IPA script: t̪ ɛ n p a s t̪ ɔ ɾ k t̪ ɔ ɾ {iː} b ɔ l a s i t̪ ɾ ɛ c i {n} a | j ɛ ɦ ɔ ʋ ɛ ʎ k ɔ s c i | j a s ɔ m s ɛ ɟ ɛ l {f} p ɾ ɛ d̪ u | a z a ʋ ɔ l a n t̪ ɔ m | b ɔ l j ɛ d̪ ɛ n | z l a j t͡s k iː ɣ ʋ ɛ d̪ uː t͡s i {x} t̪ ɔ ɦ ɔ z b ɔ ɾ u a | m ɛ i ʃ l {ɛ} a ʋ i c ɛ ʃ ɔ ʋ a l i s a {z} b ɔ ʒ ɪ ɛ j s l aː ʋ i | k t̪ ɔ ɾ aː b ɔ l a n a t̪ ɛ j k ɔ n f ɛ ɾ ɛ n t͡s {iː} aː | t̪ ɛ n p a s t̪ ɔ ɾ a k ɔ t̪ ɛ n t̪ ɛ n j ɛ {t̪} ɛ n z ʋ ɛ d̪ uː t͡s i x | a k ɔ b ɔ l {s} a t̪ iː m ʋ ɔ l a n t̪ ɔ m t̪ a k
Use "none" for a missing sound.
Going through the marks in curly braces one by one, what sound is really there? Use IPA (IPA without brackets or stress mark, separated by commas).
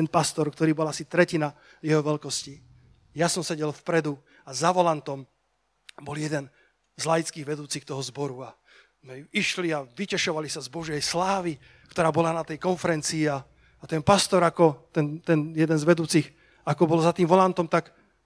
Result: iː, n, f, x, i, z, iː, d̪, z